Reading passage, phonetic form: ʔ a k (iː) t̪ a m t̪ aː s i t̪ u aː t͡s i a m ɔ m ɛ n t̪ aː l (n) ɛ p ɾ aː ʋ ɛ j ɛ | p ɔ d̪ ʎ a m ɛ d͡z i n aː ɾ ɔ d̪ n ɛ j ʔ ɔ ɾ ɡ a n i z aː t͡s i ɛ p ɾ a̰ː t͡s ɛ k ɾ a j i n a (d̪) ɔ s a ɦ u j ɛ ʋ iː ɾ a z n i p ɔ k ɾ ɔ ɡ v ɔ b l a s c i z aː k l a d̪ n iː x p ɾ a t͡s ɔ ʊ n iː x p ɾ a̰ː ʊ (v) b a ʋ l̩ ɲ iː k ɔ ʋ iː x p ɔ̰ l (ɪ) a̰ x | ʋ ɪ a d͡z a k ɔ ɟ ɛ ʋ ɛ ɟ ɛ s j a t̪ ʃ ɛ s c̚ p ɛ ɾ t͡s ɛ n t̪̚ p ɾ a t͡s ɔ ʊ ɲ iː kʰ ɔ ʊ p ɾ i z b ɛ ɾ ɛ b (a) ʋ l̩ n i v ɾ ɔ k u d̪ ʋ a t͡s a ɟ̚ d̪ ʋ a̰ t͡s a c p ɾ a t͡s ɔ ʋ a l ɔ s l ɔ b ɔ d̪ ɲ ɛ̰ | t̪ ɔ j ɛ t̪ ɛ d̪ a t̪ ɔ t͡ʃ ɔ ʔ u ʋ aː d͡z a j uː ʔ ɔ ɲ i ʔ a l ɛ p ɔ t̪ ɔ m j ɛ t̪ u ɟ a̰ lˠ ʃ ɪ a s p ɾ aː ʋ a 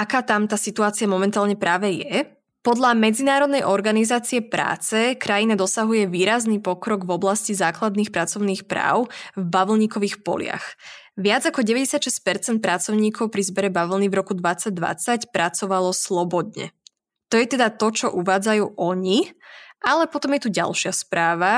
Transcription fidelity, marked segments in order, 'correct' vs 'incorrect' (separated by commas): incorrect, incorrect, correct, correct, correct, correct